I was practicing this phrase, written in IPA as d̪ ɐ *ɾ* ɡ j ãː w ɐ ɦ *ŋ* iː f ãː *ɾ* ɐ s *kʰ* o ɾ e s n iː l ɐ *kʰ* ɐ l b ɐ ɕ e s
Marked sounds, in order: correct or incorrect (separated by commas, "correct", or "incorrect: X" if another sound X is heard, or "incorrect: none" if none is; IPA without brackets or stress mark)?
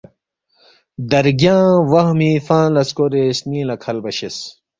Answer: correct, incorrect: m, incorrect: l, incorrect: k, correct